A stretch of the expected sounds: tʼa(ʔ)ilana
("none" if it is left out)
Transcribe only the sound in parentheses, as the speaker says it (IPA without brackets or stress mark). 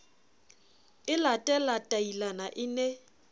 none